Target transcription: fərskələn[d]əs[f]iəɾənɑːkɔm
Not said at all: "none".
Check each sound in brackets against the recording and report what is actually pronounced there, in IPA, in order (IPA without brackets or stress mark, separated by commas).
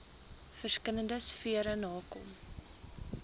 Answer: d, f